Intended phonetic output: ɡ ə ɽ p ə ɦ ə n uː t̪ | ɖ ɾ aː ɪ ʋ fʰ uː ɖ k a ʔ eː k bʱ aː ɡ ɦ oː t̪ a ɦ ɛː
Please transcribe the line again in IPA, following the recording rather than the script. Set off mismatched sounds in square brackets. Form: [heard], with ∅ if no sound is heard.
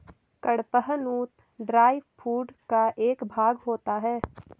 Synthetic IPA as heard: [k] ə ɽ p ə ɦ ə n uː t̪ | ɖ ɾ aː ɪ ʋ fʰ uː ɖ k a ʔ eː k bʱ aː ɡ ɦ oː t̪ a ɦ ɛː

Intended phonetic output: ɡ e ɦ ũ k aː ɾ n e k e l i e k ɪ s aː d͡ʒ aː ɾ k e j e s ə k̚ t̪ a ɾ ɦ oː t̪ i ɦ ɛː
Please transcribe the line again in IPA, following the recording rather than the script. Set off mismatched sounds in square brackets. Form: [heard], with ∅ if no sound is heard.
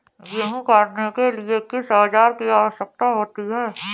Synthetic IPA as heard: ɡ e ɦ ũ k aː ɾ n e k e l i e k ɪ s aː d͡ʒ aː ɾ k [i] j [a] s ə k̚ t̪ a [∅] ɦ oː t̪ i ɦ ɛː

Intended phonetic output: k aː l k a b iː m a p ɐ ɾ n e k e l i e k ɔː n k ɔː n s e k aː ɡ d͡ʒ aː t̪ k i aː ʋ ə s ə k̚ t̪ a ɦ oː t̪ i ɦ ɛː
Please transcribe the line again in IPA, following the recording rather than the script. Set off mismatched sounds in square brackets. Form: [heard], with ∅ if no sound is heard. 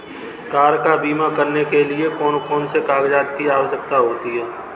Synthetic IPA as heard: k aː [ɾ] k a b iː m a [k] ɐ ɾ n e k e l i e k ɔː n k ɔː n s e k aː ɡ d͡ʒ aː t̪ k i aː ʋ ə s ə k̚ t̪ a ɦ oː t̪ i ɦ ɛː

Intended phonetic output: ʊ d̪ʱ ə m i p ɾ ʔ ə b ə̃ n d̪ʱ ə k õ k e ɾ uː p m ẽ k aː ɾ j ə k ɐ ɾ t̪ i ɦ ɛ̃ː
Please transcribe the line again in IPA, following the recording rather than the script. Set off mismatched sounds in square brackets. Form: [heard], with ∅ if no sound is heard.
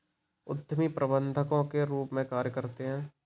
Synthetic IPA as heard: ʊ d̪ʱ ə m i p ɾ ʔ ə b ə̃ n d̪ʱ ə k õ k e ɾ uː p m ẽ k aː ɾ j ə k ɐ ɾ t̪ [e] ɦ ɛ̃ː

